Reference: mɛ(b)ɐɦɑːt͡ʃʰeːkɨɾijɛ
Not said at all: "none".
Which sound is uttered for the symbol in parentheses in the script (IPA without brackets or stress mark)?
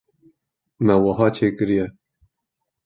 w